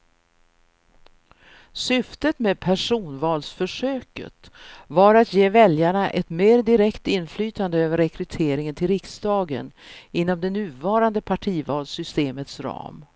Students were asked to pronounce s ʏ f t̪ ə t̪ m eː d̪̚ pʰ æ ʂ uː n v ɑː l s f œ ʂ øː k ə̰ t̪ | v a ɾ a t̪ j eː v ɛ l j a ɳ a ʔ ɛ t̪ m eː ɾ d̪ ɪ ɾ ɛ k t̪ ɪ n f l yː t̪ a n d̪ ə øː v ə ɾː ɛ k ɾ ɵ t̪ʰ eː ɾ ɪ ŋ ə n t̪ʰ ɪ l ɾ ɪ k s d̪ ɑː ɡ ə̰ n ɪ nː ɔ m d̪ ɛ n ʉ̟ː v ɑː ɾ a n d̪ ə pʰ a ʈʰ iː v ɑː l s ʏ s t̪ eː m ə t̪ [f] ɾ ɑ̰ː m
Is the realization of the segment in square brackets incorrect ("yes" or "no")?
yes